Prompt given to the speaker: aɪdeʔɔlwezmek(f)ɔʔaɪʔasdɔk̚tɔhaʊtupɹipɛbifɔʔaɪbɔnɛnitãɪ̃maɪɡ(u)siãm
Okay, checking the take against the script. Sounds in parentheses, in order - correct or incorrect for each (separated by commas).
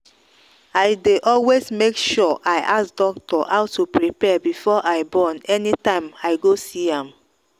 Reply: incorrect, incorrect